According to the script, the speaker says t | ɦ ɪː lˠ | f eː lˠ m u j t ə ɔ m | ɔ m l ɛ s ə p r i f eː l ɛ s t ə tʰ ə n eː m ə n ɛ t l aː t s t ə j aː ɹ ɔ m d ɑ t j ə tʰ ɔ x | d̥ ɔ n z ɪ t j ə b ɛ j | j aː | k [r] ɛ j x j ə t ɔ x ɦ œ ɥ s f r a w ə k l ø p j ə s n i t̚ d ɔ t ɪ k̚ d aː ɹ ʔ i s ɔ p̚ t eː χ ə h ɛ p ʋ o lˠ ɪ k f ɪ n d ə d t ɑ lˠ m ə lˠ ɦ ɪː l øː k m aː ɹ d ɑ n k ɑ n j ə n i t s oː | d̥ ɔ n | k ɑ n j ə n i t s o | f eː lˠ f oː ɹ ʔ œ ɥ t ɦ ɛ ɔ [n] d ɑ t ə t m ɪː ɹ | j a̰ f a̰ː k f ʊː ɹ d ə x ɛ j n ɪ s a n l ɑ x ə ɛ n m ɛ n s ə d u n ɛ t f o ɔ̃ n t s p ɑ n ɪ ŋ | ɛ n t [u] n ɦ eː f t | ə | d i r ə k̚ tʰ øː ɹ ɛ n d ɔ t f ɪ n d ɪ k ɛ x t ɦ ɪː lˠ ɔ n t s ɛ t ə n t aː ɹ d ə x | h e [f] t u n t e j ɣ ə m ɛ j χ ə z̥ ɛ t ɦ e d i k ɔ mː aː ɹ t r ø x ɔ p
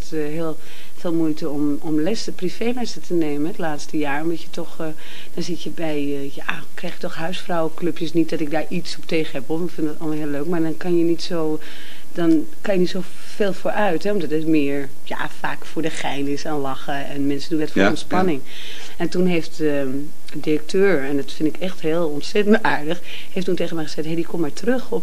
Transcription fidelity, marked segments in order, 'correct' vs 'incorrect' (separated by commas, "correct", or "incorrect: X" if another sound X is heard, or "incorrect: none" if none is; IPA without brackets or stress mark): correct, incorrect: m, correct, correct